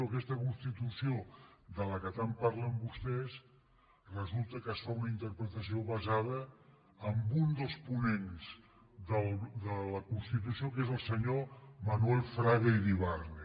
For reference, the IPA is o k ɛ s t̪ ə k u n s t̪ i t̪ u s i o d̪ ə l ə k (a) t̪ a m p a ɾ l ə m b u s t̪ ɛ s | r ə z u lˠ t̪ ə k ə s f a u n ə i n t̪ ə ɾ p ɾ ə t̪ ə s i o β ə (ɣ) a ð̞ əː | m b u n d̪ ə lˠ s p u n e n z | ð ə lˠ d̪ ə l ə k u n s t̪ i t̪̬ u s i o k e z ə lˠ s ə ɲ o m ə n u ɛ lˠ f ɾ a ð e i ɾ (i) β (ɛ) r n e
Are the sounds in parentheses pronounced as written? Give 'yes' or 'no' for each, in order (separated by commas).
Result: no, no, yes, no